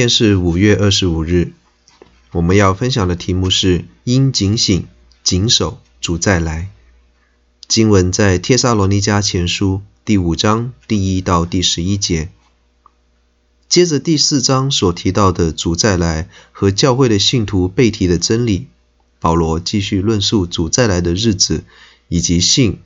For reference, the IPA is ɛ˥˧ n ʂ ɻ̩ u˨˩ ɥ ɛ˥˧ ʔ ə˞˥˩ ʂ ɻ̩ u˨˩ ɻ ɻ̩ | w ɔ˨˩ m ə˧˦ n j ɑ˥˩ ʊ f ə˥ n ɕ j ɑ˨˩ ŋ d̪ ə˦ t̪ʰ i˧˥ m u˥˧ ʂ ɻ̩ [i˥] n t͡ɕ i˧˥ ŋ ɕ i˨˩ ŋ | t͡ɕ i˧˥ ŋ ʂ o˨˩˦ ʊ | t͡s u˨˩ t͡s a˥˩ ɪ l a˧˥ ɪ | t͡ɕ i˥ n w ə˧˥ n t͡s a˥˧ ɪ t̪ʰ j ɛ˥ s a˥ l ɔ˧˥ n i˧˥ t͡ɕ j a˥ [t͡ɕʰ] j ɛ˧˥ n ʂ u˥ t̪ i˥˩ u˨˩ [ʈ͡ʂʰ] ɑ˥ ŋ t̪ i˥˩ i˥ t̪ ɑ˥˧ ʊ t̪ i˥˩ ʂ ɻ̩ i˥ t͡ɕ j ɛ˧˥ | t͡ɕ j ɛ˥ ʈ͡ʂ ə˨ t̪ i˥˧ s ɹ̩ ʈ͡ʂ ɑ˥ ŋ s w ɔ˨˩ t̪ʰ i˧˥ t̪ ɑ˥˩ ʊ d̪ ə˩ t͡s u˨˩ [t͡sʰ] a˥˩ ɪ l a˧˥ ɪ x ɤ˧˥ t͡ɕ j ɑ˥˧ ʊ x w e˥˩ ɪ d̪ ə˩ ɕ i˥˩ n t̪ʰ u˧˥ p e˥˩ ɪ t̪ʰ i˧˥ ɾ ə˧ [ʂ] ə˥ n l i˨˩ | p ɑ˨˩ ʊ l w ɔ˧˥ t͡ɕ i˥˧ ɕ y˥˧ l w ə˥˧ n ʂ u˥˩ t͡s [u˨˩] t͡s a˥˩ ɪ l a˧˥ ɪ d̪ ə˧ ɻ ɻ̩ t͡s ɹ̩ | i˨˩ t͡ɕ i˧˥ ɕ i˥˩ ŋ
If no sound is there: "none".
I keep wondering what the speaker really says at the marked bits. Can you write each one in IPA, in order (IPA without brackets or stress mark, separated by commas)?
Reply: i˥, t͡ɕʰ, ʈ͡ʂ, t͡s, ʈ͡ʂ, u˨˩